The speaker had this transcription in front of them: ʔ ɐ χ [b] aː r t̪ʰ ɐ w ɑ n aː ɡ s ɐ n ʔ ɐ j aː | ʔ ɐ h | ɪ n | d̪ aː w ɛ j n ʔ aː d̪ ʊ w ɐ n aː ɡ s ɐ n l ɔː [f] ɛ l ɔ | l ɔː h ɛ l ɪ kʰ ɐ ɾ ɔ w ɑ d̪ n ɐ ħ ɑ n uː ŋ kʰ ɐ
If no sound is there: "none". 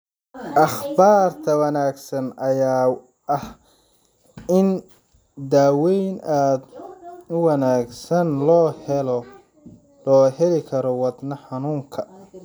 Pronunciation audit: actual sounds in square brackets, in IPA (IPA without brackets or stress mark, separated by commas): b, h